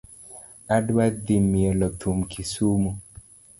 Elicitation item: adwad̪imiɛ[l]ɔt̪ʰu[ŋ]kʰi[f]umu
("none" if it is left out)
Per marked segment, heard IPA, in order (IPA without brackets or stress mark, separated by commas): l, m, s